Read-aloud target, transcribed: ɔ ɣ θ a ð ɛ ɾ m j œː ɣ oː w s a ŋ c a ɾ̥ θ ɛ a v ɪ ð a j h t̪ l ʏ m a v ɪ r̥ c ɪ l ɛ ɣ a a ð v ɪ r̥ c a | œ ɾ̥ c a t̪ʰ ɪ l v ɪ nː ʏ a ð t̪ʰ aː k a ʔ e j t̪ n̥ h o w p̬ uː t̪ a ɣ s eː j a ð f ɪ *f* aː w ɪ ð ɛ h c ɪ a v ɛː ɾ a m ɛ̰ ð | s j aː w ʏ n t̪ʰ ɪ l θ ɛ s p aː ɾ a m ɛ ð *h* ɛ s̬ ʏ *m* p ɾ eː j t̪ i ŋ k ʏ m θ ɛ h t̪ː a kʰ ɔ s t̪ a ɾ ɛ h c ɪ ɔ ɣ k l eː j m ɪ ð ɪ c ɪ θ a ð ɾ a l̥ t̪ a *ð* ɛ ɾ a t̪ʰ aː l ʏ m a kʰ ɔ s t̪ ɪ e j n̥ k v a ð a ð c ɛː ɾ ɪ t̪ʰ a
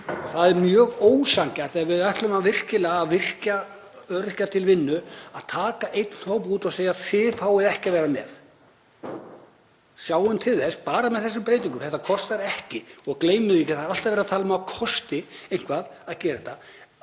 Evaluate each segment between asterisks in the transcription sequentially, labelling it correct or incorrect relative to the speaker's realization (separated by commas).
correct, incorrect, correct, incorrect